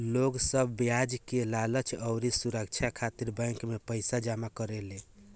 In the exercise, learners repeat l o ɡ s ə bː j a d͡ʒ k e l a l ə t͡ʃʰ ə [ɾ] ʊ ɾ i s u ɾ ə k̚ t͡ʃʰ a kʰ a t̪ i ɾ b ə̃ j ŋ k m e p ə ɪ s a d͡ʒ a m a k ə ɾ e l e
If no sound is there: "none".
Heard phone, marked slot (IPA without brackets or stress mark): none